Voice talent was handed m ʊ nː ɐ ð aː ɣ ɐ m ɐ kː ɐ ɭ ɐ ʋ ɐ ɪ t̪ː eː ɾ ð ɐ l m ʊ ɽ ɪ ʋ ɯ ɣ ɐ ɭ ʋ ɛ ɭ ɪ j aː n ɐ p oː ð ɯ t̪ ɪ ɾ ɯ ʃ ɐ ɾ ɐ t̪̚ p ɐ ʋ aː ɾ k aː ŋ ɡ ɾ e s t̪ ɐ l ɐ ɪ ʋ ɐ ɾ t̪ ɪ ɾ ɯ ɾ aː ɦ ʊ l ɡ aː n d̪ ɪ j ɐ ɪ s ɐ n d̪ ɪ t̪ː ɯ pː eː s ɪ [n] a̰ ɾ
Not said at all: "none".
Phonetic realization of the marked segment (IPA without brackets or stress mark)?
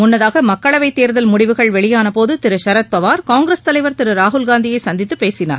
n